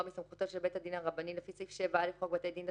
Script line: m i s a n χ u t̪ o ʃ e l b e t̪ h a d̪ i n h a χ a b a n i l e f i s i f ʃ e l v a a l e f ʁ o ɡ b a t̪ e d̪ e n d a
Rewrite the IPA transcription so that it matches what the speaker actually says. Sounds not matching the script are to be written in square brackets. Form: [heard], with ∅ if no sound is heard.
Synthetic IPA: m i s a [m] χ u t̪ o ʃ e l b e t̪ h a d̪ i n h a [ʁ] a b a n i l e f i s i f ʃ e [∅] v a a l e f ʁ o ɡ b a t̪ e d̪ [i] n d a